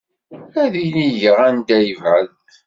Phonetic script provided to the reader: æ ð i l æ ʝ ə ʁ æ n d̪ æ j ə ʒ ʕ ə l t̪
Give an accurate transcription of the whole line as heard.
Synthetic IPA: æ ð i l i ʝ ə ʁ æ n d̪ æ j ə v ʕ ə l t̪

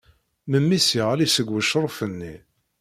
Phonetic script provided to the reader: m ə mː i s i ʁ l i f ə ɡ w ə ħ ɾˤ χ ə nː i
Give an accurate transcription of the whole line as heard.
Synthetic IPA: m ə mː i s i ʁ l i s ə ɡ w ə ʃ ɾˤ f ə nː i

